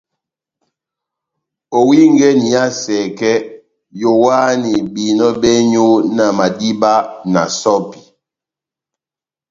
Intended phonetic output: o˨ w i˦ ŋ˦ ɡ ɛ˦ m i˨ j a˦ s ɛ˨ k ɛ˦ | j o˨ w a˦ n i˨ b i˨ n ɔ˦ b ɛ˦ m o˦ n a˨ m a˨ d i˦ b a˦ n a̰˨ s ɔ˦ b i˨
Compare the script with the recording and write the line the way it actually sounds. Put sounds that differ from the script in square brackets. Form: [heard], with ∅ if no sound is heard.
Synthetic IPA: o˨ w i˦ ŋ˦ ɡ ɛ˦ [n] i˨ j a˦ s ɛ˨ k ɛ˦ | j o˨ w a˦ n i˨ b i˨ n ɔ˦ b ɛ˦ [ɲ] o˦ n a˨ m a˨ d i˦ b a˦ n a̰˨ s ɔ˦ [p] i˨